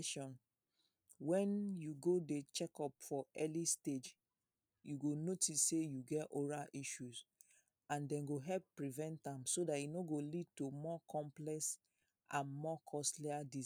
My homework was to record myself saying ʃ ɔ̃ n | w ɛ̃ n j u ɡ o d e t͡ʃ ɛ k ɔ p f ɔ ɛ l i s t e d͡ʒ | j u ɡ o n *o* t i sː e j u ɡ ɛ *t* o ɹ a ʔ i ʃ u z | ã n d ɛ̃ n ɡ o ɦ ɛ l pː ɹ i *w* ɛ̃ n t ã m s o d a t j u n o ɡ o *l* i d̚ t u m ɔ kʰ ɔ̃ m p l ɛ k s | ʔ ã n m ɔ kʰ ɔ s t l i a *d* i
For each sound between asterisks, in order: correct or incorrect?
correct, correct, incorrect, correct, correct

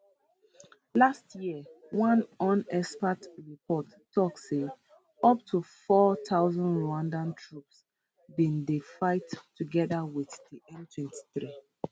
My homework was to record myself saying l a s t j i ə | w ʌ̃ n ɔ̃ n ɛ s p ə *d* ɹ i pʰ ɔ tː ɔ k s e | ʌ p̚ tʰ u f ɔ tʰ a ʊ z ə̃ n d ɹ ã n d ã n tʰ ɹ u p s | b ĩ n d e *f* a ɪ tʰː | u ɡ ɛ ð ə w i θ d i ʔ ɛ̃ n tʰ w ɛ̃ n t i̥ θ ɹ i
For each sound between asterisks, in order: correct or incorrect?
incorrect, correct

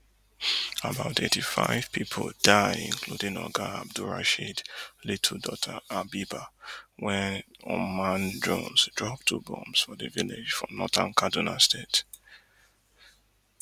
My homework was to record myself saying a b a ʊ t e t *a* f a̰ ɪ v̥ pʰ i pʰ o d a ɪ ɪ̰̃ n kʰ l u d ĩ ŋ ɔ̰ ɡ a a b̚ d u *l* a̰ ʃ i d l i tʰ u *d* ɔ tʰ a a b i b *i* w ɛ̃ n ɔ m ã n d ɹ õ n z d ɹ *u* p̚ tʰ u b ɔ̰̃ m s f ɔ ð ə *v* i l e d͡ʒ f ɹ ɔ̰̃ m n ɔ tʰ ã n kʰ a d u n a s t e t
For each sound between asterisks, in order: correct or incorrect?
incorrect, incorrect, correct, incorrect, incorrect, correct

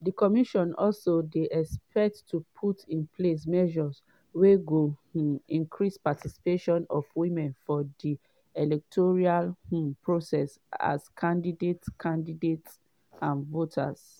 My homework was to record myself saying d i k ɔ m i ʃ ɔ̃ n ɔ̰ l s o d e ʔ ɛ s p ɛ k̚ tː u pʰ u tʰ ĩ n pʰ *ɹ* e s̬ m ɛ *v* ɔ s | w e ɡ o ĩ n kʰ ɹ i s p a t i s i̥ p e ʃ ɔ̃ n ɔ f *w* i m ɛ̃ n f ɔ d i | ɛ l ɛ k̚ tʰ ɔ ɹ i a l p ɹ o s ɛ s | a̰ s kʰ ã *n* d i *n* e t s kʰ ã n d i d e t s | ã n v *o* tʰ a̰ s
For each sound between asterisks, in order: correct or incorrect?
incorrect, incorrect, correct, correct, incorrect, correct

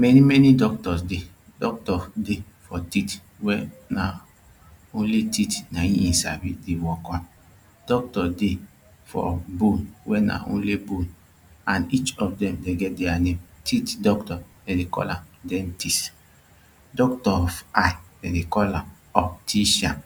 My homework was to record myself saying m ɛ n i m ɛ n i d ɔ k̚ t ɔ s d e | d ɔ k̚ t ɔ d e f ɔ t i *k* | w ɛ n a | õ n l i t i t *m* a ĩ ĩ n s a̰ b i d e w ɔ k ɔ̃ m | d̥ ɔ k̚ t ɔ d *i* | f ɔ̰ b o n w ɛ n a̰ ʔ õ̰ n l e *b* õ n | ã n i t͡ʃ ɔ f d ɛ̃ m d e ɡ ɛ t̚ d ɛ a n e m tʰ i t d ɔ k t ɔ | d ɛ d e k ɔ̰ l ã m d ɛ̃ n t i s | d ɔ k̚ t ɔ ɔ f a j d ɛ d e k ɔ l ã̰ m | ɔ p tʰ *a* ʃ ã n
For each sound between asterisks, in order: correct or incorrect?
incorrect, incorrect, incorrect, correct, incorrect

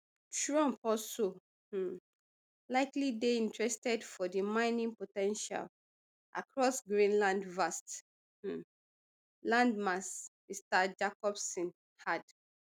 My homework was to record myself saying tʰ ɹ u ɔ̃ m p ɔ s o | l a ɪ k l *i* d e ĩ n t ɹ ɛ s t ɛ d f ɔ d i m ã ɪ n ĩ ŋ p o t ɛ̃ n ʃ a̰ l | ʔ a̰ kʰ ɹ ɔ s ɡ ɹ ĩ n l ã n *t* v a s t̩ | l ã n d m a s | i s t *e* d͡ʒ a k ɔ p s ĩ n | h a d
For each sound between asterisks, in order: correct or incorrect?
correct, incorrect, incorrect

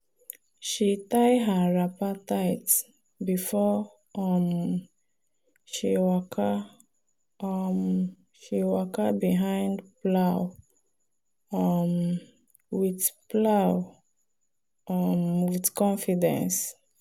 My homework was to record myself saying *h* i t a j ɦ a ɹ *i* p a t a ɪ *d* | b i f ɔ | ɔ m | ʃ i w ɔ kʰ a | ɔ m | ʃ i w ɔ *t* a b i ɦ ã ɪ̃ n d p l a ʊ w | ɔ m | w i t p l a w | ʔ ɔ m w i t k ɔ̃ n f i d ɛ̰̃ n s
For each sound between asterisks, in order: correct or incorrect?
incorrect, incorrect, incorrect, incorrect

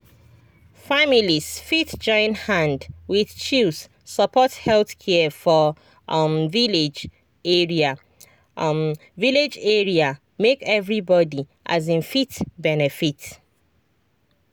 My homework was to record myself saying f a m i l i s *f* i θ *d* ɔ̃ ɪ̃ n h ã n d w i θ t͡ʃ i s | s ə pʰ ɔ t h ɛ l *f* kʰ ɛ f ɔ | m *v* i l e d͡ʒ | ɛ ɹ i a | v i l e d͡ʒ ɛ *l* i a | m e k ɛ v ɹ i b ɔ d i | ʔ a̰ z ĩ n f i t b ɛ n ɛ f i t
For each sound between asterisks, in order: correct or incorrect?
correct, incorrect, incorrect, correct, incorrect

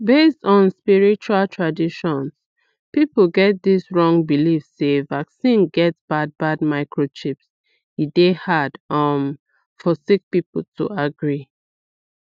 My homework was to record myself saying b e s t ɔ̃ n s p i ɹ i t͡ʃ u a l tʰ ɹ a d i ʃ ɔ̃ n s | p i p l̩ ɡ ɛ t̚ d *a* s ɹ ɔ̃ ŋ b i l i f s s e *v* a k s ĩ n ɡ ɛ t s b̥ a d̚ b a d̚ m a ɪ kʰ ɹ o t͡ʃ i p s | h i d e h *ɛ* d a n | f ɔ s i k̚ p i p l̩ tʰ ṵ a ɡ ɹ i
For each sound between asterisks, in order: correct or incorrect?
incorrect, correct, incorrect

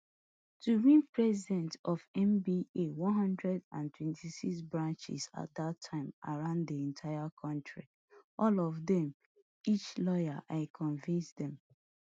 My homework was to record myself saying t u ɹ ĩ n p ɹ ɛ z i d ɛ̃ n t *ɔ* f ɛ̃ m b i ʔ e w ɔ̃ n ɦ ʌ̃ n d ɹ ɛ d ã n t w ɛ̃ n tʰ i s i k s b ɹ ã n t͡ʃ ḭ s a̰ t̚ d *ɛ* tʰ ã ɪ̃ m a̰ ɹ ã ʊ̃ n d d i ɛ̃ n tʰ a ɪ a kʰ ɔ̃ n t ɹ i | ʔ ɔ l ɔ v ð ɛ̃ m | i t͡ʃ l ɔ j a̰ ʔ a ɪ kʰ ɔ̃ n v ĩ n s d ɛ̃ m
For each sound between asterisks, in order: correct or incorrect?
correct, incorrect

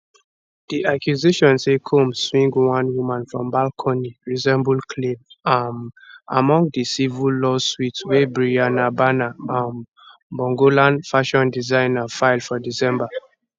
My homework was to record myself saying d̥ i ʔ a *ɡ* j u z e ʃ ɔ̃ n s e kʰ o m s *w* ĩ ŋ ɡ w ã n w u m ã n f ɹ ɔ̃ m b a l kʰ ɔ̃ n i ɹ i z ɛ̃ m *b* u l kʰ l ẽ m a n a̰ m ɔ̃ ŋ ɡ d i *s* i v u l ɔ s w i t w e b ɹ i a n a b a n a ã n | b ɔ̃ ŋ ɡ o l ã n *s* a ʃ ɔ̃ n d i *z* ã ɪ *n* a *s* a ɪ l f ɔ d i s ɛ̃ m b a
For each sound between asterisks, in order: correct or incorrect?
incorrect, correct, correct, correct, incorrect, correct, correct, incorrect

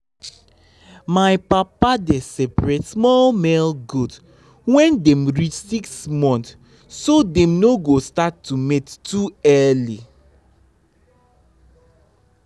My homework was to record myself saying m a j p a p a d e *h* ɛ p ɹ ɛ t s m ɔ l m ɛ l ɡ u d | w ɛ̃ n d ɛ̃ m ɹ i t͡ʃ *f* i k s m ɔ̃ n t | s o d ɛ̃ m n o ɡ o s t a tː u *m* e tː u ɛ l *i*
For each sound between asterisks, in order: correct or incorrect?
incorrect, incorrect, correct, correct

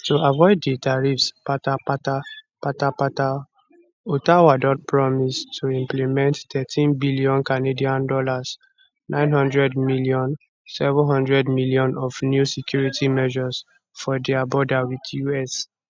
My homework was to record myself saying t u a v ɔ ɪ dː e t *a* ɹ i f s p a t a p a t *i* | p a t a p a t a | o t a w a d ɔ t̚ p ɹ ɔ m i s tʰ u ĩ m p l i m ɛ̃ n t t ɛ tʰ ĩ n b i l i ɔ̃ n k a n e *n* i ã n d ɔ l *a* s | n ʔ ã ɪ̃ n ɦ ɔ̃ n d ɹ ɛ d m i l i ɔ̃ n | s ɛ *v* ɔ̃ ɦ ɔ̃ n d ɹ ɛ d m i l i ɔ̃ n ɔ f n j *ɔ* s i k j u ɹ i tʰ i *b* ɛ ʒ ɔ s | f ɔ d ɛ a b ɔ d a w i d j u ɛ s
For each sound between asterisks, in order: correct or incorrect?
correct, incorrect, incorrect, correct, correct, incorrect, incorrect

